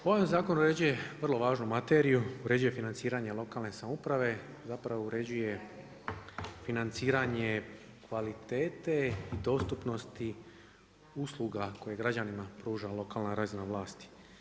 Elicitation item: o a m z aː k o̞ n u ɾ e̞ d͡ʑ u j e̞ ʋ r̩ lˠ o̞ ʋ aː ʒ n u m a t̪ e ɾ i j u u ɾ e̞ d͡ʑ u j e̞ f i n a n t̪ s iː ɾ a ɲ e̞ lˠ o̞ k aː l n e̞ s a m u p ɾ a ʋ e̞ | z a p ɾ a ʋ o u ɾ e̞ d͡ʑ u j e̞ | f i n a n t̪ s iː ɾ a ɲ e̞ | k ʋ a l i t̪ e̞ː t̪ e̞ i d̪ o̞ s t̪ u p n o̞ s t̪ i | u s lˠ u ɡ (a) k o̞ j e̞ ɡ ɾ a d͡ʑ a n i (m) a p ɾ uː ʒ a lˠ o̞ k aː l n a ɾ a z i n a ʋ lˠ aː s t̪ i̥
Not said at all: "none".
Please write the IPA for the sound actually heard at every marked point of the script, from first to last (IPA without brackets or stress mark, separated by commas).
a, m